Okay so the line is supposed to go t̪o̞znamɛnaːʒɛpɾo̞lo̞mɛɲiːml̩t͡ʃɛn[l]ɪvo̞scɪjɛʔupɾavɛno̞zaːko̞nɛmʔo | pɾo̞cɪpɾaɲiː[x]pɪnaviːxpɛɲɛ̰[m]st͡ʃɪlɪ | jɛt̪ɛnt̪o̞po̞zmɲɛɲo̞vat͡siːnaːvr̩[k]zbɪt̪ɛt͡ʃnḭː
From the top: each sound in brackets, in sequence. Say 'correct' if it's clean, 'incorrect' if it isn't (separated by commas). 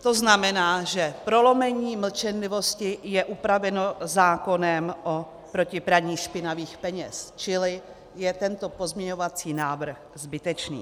correct, incorrect, incorrect, incorrect